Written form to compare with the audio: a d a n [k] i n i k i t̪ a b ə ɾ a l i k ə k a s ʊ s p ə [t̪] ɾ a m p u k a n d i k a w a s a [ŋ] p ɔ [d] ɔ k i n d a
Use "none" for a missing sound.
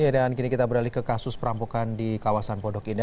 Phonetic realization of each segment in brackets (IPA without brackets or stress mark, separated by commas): k, none, n, d